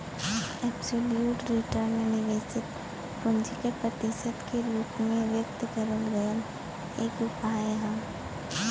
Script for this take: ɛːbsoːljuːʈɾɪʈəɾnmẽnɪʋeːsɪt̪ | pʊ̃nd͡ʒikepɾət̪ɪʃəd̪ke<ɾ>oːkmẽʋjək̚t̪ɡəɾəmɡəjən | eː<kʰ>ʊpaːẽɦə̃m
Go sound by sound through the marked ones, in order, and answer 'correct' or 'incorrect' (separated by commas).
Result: incorrect, incorrect